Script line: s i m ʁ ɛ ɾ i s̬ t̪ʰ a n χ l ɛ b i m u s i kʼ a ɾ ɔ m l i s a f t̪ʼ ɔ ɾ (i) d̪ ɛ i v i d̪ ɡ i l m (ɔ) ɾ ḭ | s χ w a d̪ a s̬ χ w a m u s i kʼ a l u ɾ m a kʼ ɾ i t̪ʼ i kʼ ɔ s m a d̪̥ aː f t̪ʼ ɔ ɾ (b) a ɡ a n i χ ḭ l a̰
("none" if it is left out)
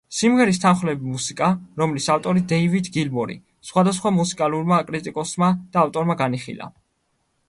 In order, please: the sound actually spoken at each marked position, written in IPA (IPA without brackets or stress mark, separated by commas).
i, ɔ, m